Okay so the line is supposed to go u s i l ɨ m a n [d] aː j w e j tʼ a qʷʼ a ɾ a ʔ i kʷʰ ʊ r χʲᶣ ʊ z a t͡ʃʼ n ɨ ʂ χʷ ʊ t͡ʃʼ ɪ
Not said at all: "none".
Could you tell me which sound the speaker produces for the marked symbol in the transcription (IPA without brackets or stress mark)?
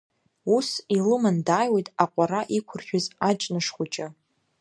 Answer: d